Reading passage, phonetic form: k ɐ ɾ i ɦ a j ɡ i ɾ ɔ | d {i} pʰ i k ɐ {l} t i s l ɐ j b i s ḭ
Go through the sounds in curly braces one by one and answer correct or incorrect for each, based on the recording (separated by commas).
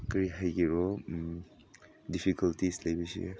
correct, correct